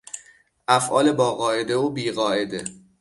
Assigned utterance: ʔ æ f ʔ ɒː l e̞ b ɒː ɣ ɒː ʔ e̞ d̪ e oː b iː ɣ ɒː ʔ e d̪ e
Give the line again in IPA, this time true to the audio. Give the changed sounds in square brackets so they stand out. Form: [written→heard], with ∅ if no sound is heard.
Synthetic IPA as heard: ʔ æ f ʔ ɒː l e̞ b ɒː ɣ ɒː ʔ e̞ d̪ e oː b iː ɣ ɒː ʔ e d̪ e

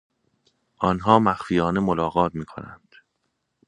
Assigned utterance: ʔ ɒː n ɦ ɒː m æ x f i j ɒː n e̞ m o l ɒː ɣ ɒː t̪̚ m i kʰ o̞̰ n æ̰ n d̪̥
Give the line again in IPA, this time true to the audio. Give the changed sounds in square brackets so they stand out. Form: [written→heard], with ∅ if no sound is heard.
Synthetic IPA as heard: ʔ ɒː n ɦ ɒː m æ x f i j ɒː n e̞ m o l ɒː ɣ ɒː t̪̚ m [i→iː] kʰ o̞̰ n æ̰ n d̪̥

